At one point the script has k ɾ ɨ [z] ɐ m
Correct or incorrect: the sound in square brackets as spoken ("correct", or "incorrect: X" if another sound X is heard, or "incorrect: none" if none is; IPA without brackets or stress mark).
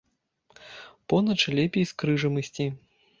incorrect: ʐ